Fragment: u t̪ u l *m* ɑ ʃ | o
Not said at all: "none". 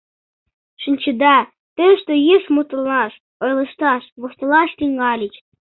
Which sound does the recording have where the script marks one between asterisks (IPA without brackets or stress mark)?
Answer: n